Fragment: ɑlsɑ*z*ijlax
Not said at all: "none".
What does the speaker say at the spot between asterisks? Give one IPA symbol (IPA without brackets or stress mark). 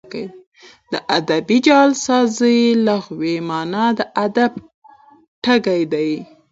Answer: z